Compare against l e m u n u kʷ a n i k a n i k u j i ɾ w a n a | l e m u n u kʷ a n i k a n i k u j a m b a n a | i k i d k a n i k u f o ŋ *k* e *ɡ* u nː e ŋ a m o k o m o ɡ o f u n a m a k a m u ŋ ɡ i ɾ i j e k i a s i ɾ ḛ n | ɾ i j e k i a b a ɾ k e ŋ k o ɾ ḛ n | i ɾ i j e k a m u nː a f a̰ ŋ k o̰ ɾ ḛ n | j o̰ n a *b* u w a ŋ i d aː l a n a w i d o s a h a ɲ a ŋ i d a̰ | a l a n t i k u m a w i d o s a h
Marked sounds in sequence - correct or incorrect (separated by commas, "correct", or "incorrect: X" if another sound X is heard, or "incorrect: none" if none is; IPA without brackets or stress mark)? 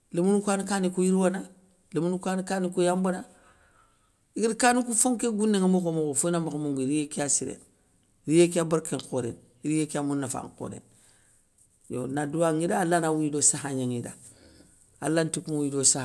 correct, correct, incorrect: d